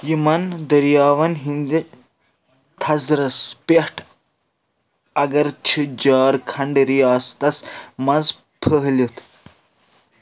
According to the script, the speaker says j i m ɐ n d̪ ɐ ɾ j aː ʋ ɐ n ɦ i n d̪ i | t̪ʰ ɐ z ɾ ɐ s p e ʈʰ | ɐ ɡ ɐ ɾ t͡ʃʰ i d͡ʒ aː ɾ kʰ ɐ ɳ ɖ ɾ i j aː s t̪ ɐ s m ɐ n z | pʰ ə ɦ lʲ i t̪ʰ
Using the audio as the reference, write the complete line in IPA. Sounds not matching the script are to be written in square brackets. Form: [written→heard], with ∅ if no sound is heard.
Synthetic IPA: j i m ɐ n d̪ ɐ ɾ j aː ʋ ɐ n ɦ i n d̪ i | t̪ʰ ɐ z ɾ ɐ s p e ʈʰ | ɐ ɡ ɐ ɾ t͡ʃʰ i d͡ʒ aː ɾ kʰ ɐ ɳ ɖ ɾ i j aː s t̪ ɐ s m ɐ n z | pʰ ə ɦ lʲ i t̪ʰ